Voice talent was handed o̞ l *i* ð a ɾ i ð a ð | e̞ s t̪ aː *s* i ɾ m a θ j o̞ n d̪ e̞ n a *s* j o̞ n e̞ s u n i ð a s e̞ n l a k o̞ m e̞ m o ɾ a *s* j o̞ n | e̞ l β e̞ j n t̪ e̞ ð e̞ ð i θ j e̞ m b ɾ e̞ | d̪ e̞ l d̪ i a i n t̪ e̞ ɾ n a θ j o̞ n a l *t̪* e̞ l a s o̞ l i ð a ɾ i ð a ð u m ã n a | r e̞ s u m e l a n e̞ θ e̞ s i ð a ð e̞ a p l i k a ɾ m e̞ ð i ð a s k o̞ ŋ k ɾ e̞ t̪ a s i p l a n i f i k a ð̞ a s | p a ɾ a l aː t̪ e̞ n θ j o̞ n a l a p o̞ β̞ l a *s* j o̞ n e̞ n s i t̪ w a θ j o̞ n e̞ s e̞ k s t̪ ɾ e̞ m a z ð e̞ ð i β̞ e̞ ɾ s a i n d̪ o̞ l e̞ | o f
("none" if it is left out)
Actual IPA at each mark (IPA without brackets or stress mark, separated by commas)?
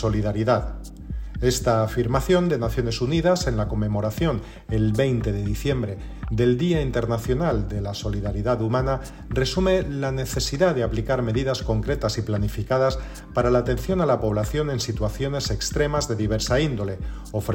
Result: i, f, θ, θ, d̪, θ